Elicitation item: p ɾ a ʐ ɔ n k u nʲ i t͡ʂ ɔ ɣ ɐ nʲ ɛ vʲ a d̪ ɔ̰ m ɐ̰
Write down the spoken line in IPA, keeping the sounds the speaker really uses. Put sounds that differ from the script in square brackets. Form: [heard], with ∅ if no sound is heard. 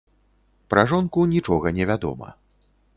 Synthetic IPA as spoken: p ɾ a ʐ ɔ n k u nʲ i t͡ʂ ɔ ɣ ɐ nʲ ɛ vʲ a d̪ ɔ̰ m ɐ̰